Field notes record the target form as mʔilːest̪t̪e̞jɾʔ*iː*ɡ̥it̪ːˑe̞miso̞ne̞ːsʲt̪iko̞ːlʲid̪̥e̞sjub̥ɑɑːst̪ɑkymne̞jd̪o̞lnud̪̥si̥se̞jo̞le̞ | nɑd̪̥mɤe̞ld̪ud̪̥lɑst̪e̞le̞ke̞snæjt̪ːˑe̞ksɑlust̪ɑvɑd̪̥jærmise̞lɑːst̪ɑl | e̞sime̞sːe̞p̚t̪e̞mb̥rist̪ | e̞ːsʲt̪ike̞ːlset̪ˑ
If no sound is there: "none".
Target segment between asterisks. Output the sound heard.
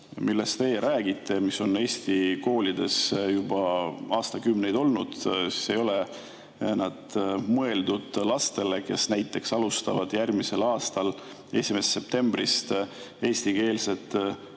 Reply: æː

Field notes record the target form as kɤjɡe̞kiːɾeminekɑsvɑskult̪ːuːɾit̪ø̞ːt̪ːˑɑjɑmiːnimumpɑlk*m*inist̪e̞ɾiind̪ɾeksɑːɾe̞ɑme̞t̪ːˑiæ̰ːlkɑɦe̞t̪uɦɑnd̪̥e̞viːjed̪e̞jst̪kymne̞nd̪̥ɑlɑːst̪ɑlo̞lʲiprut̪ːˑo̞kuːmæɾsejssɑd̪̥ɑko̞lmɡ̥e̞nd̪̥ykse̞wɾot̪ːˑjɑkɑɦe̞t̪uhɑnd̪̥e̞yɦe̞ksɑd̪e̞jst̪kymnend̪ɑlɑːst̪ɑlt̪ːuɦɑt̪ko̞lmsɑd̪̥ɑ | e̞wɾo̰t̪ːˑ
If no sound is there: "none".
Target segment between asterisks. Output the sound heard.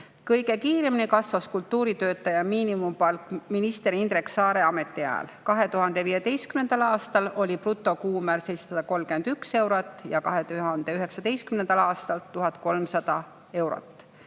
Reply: m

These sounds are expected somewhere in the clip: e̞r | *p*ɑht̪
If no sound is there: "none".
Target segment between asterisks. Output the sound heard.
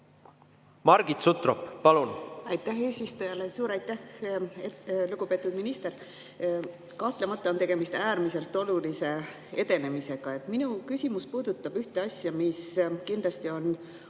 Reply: k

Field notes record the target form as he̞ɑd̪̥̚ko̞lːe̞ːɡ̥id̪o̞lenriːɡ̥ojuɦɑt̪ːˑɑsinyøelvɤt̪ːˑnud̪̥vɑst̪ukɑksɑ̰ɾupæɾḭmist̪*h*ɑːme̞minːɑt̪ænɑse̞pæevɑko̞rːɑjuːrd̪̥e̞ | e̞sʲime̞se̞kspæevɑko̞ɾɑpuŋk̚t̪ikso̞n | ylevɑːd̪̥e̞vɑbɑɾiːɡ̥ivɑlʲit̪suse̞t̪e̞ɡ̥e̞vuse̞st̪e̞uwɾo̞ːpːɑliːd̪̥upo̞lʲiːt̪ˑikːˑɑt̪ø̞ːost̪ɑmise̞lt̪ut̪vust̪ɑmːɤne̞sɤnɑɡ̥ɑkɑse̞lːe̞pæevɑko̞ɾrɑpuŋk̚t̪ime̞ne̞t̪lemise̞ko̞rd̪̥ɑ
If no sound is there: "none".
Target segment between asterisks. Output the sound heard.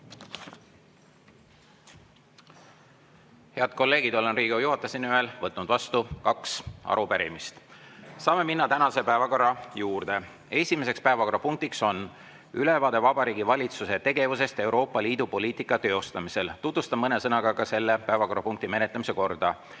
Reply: s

